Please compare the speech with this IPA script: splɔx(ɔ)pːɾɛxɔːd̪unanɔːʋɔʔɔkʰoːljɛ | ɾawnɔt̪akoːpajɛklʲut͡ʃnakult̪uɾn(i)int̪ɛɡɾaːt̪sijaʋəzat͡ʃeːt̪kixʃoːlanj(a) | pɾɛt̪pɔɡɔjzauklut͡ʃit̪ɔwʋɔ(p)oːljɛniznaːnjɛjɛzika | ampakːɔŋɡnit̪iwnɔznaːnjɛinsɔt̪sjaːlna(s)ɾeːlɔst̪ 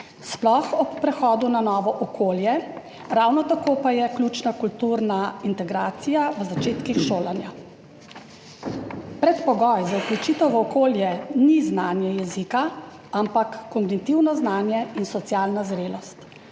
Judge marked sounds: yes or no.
yes, no, yes, no, no

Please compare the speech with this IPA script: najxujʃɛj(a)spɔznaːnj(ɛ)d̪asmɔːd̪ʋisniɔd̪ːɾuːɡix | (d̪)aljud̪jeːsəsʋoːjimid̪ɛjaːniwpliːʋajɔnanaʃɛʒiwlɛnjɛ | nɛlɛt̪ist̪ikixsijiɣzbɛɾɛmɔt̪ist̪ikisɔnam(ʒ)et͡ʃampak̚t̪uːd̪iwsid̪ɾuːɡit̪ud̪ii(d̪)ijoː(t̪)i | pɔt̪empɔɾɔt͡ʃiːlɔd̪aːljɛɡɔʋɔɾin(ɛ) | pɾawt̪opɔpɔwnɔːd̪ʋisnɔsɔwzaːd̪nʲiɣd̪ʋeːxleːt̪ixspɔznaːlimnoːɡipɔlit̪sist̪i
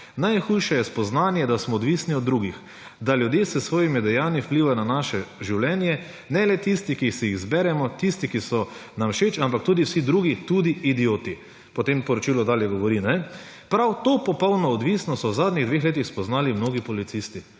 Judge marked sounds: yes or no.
no, yes, yes, no, yes, yes, yes

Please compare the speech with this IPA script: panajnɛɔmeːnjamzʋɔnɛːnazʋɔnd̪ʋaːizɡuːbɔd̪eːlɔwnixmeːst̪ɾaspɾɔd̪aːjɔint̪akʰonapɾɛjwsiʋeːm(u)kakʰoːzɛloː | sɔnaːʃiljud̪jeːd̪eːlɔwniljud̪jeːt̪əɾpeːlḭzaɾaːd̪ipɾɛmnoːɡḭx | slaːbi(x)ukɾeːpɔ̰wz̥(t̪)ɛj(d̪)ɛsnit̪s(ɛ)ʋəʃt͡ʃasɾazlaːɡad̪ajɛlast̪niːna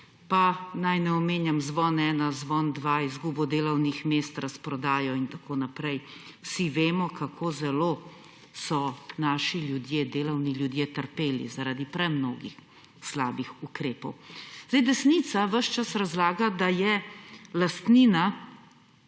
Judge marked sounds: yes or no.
no, yes, no, yes, no

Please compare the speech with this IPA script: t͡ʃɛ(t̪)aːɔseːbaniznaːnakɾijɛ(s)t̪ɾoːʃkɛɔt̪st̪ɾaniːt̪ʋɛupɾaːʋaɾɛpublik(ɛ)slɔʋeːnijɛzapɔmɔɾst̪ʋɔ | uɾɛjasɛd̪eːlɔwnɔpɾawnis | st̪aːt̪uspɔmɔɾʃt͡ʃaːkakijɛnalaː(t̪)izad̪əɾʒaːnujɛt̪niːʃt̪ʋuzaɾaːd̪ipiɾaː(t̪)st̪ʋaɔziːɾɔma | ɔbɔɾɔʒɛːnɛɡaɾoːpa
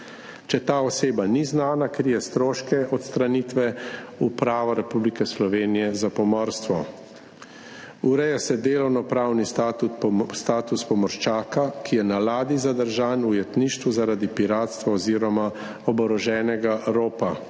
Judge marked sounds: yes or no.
yes, yes, yes, no, yes

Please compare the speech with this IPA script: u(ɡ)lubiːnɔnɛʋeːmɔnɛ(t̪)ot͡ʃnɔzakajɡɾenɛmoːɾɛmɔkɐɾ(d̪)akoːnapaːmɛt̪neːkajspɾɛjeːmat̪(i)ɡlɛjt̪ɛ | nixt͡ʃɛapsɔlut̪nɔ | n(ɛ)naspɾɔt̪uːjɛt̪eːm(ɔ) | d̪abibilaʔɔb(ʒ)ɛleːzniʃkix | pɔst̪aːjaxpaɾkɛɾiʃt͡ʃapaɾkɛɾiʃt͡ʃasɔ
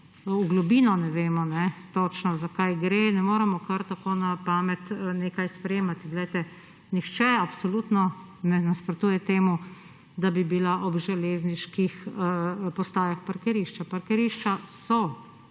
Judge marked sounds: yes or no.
yes, yes, no, yes, yes, no, yes

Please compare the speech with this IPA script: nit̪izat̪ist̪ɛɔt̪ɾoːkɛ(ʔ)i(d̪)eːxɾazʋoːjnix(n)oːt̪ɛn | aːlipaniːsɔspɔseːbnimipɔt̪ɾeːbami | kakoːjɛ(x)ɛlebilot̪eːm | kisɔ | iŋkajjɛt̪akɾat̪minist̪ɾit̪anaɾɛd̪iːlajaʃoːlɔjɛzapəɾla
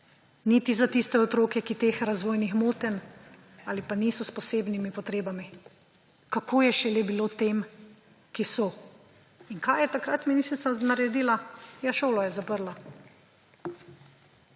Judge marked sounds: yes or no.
no, no, no, no

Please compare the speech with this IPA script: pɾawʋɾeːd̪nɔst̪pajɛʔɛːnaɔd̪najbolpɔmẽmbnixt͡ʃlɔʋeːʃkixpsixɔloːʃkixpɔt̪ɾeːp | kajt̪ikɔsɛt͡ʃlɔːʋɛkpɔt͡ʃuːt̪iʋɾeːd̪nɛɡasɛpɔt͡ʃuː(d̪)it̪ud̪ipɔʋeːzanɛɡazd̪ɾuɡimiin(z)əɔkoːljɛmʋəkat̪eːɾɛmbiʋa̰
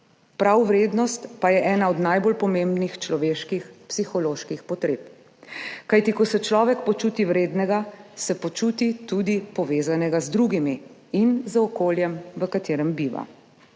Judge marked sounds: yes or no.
no, yes

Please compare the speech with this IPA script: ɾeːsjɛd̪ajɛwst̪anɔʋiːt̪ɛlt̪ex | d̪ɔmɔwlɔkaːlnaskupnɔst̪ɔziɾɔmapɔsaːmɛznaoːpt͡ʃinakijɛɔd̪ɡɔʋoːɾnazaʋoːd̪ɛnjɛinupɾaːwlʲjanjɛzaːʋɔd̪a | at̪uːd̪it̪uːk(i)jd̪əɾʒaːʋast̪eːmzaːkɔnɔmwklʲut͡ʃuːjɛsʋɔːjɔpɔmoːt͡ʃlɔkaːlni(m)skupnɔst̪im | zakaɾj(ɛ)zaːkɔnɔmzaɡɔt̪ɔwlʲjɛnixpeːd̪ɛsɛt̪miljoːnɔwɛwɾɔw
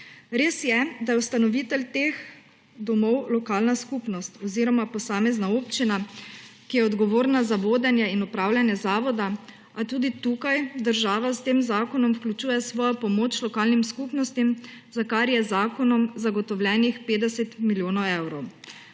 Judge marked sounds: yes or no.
no, yes, yes

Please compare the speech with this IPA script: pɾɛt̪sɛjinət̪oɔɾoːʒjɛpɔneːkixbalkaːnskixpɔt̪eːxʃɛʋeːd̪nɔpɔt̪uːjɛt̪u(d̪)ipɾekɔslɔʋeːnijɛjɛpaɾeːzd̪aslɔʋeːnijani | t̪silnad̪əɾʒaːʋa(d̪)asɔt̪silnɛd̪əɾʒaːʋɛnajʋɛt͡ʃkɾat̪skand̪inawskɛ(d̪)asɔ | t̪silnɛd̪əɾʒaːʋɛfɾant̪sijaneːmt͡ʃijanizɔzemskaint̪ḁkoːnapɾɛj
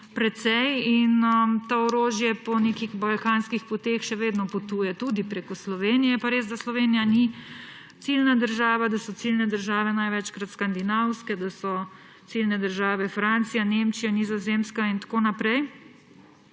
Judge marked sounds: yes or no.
yes, yes, yes

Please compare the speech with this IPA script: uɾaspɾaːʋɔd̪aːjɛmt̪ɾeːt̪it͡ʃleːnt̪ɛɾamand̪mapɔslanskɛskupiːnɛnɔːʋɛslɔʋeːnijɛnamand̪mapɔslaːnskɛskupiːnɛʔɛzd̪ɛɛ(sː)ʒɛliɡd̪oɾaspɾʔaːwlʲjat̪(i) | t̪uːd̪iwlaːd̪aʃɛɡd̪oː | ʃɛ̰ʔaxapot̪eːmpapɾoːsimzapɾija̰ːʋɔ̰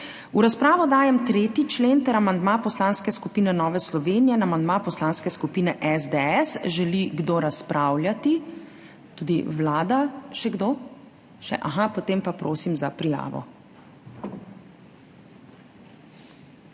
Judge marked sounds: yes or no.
no, yes

